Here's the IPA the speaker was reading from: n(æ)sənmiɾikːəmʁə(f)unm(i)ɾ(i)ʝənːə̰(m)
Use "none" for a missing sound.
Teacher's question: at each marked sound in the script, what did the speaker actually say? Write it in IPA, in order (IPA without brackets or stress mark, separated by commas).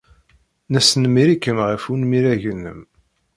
æ, f, i, æ, m